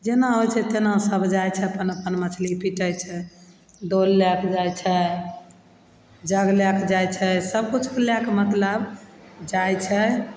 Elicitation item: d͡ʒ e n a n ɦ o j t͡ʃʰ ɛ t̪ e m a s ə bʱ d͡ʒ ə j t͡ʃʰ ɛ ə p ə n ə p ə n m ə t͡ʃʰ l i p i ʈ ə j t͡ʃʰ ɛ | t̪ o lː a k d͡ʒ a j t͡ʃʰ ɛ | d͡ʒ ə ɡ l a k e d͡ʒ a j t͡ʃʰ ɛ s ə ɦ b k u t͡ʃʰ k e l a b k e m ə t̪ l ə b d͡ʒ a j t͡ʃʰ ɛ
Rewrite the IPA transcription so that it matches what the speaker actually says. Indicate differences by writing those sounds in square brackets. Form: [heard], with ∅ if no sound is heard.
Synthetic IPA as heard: d͡ʒ e n a [∅] ɦ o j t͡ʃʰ ɛ t̪ e [n] a s ə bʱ d͡ʒ [a] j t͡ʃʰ ɛ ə p ə n ə p ə n m ə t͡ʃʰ l i p i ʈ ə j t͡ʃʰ ɛ | [d̪] o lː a k d͡ʒ a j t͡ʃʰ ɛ | d͡ʒ ə ɡ l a k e d͡ʒ a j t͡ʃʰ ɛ s ə [∅] b k u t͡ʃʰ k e l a [∅] k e m ə t̪ l ə b d͡ʒ a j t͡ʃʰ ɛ

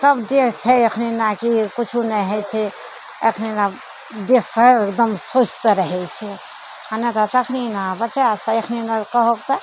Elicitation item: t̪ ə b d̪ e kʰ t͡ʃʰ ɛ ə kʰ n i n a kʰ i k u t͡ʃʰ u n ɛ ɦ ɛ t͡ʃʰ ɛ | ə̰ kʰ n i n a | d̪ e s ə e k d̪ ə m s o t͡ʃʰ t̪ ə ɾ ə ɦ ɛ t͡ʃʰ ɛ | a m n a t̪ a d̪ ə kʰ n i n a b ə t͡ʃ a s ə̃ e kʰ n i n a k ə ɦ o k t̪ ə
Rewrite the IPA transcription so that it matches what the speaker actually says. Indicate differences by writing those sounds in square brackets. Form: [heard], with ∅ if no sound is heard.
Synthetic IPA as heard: t̪ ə b d̪ e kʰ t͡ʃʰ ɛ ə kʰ n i n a [k] i k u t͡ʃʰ u n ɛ ɦ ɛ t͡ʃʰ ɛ | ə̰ kʰ n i n a | d̪ e s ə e k d̪ ə m s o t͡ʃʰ t̪ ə ɾ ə ɦ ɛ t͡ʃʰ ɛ | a [∅] n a t̪ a [t̪] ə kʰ n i n a b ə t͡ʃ a s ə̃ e kʰ n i n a k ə ɦ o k t̪ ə

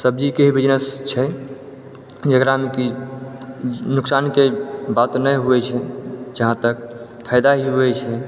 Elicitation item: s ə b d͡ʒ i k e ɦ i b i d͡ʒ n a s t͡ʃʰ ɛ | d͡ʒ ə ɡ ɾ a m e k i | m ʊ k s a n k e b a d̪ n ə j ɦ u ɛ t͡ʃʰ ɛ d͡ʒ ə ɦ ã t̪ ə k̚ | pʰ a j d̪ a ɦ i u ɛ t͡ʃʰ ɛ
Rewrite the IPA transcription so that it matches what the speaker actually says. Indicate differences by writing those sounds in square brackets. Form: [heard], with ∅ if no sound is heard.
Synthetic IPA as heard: s ə b d͡ʒ i k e ɦ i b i d͡ʒ n [ə] s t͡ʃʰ ɛ | d͡ʒ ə [k] ɾ a m e k i | [n] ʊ k s a n k e b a [t̪] n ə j ɦ u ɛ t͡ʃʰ ɛ d͡ʒ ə ɦ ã t̪ ə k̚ | pʰ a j d̪ a ɦ i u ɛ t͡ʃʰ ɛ

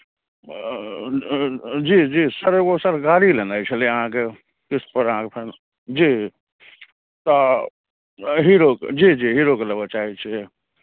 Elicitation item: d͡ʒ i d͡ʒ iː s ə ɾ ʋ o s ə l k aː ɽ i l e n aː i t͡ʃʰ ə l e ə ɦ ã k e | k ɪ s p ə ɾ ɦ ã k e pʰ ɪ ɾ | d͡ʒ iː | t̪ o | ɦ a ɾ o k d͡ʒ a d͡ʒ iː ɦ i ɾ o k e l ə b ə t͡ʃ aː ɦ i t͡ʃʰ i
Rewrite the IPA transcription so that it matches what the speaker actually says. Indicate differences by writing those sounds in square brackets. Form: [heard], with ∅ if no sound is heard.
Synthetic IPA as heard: d͡ʒ i d͡ʒ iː s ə ɾ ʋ o s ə [ɾ] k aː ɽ i l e n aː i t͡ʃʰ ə l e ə ɦ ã k e | k ɪ s p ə ɾ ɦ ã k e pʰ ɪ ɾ | d͡ʒ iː | t̪ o | ɦ [i] ɾ o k d͡ʒ [i] d͡ʒ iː ɦ i ɾ o k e l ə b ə t͡ʃ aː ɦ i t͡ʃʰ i

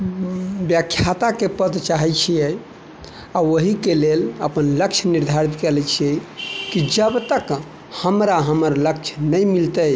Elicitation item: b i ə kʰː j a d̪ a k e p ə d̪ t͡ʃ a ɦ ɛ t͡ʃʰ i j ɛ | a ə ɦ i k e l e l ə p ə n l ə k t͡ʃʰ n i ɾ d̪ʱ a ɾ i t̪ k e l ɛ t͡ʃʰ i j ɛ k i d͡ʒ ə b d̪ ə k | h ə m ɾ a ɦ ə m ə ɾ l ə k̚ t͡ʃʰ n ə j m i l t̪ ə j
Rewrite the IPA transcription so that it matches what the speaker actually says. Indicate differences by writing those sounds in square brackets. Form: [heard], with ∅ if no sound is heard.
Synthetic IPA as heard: b [j] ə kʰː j a [t̪] a k e p ə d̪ t͡ʃ a ɦ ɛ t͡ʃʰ i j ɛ | a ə ɦ i k e l e l ə p ə n l ə k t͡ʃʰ n i ɾ d̪ʱ a ɾ i t̪ k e l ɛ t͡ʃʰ i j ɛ k i d͡ʒ ə b [t̪] ə k | h ə m ɾ a ɦ ə m ə ɾ l ə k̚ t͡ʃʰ n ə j m i l t̪ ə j

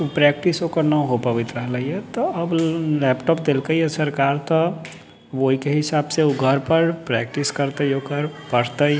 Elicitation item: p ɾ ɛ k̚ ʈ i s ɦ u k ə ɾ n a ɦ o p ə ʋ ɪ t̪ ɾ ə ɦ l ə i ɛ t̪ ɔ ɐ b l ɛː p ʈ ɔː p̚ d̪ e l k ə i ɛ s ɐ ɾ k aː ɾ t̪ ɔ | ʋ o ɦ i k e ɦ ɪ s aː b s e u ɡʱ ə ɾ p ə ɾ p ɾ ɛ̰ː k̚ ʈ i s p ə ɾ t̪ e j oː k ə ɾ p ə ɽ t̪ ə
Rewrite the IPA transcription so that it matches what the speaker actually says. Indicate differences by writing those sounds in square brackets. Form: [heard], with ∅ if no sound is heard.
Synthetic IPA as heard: p ɾ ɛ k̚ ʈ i s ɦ [o] k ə ɾ n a ɦ o p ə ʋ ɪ t̪ ɾ ə ɦ l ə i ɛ t̪ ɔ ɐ b l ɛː p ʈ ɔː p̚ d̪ e l k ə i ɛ s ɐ ɾ k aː ɾ t̪ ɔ | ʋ o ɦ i k e ɦ ɪ s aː b s e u ɡʱ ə ɾ p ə ɾ p ɾ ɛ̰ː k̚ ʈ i s [k] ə ɾ t̪ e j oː k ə ɾ p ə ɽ t̪ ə

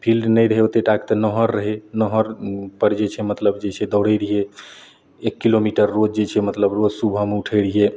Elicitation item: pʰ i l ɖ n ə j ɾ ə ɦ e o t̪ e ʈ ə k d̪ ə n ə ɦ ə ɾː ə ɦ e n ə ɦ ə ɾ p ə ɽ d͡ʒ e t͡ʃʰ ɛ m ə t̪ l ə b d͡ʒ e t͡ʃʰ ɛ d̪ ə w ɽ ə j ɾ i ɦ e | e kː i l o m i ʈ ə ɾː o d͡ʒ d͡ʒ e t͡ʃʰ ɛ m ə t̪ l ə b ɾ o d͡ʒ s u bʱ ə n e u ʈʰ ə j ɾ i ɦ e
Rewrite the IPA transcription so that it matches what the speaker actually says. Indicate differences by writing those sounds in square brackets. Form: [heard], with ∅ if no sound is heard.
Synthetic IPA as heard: pʰ i l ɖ n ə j ɾ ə ɦ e o t̪ e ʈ [a] k [t̪] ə n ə ɦ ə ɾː ə ɦ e n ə ɦ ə ɾ p ə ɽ d͡ʒ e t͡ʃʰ ɛ m ə t̪ l ə b d͡ʒ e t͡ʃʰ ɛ d̪ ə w ɽ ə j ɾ i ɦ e | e kː i l o m i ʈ ə ɾː o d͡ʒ d͡ʒ e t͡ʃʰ ɛ m ə t̪ l ə b ɾ o d͡ʒ s u bʱ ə [m] e u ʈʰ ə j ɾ i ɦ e

